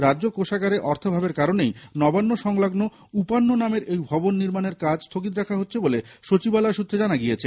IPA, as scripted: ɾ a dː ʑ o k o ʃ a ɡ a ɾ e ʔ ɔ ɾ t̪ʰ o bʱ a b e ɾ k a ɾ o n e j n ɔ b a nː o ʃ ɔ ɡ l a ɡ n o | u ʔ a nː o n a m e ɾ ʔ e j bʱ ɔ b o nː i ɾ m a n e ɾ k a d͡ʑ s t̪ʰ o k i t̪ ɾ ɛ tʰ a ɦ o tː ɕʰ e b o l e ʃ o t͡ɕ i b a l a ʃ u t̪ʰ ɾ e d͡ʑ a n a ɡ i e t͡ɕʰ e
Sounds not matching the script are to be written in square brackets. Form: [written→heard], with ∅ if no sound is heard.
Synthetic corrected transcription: ɾ a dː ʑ o k o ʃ a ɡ a ɾ e ʔ ɔ ɾ t̪ʰ o bʱ a b e ɾ k a ɾ o n e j n ɔ b a nː o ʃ ɔ [ɡ→ŋ] l a ɡ n o | u [ʔ→p] a nː o n a m e ɾ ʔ e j bʱ ɔ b o nː i ɾ m a n e ɾ k a d͡ʑ s t̪ʰ o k i t̪ ɾ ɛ [tʰ→kʰ] a ɦ o tː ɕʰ e b o l e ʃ o t͡ɕ i b a l a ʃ u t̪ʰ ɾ e d͡ʑ a n a ɡ i e t͡ɕʰ e